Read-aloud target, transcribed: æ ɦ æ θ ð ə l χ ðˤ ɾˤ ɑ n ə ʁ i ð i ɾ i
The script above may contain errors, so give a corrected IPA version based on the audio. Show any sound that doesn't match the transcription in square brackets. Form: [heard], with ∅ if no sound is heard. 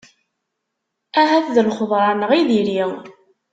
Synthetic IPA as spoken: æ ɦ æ θ ð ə l χ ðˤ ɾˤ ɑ n ə ʁ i ð i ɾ i